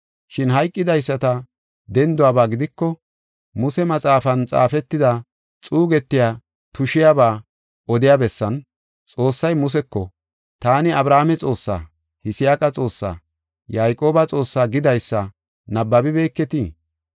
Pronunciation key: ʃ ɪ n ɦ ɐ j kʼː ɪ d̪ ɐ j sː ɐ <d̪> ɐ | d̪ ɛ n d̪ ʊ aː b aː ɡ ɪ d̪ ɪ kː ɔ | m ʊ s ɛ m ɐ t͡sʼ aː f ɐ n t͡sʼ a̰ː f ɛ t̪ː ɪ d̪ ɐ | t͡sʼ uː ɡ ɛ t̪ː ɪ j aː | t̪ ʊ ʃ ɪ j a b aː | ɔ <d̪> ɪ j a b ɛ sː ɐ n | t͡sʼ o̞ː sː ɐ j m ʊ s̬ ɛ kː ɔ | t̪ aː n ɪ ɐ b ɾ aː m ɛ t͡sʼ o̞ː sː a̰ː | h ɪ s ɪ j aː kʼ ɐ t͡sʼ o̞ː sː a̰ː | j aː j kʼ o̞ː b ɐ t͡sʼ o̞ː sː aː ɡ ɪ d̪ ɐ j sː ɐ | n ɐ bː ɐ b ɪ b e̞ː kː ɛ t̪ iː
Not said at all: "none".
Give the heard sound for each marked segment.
t̪, d̪

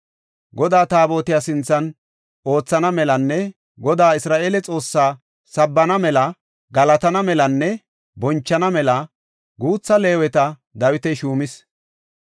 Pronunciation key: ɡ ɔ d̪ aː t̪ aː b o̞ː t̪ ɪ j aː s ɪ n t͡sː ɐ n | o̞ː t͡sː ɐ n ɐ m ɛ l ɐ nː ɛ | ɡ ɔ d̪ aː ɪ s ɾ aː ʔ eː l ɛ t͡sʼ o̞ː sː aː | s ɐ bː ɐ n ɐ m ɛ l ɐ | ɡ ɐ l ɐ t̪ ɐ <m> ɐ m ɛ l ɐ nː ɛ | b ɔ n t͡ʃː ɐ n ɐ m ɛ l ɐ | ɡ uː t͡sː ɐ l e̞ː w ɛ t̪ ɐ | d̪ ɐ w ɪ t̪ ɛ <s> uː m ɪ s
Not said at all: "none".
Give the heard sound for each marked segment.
n, ʃ

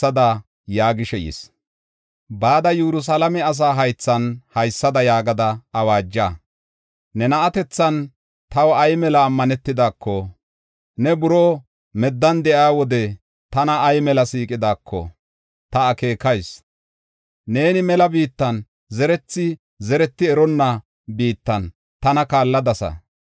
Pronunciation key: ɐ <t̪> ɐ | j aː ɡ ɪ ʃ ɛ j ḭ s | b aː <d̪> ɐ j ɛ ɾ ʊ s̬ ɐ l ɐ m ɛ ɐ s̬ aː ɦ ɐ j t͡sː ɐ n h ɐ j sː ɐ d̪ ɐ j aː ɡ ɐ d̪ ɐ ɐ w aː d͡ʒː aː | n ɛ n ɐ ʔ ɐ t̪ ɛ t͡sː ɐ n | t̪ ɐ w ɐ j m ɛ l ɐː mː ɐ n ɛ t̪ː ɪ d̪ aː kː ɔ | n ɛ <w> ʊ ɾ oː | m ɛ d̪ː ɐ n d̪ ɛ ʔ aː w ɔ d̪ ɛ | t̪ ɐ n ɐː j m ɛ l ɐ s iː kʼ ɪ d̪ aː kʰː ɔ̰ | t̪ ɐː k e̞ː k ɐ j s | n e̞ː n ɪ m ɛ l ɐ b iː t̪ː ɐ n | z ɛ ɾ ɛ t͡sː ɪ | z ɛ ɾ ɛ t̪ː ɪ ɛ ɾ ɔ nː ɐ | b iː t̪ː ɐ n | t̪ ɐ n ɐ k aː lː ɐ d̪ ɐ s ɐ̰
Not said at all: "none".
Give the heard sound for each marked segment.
d̪, d̪, b

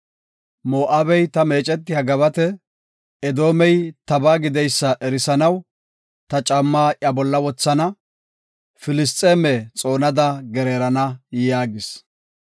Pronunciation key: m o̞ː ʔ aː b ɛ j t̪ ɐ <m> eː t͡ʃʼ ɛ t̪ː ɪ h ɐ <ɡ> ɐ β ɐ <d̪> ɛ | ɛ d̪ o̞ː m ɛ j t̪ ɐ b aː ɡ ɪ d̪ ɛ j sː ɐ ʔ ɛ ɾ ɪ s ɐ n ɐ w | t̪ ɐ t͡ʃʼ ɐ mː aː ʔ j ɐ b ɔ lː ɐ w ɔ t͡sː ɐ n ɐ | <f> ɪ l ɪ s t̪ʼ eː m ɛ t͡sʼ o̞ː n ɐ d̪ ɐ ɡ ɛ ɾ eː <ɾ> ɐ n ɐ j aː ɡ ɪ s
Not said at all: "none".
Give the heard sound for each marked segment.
m, ɡ, t̪, f, ɾ

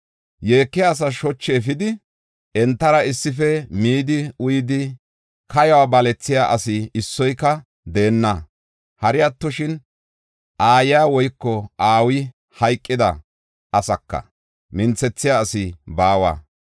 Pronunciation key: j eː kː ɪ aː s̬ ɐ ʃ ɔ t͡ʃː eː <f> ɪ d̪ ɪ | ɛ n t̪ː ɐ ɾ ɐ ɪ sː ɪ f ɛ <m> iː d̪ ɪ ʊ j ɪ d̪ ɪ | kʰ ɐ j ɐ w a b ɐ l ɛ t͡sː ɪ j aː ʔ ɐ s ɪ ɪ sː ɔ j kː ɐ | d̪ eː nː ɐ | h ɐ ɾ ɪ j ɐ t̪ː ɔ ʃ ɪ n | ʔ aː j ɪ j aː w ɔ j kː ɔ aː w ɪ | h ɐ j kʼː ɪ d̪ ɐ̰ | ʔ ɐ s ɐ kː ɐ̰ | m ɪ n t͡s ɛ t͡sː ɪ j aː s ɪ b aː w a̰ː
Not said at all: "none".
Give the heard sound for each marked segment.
f, m

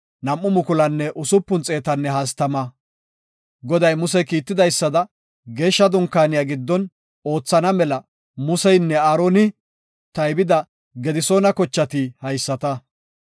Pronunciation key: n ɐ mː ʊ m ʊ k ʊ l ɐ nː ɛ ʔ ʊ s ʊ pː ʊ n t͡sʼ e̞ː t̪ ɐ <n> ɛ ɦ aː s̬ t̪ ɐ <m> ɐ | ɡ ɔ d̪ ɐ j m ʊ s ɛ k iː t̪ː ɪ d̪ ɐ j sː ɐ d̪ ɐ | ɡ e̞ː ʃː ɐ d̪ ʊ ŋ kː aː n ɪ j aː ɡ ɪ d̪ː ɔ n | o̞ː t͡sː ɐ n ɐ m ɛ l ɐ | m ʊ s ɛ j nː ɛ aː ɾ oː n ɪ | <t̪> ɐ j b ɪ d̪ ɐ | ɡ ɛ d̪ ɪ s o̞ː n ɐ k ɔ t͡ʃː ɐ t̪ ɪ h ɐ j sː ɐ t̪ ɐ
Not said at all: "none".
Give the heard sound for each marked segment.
nː, m, t̪

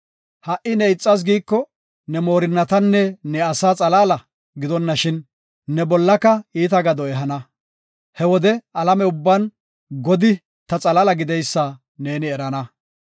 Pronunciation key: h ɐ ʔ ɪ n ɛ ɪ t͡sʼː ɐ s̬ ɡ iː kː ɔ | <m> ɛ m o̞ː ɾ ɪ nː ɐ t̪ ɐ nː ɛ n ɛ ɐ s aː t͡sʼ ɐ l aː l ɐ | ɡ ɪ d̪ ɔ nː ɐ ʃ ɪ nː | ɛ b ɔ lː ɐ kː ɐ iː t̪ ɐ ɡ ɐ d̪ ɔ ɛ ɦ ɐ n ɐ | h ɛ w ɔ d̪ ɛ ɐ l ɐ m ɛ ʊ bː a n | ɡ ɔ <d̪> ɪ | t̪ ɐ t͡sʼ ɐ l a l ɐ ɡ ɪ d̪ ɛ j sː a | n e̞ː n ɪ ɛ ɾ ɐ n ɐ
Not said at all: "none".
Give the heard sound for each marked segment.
n, d̪

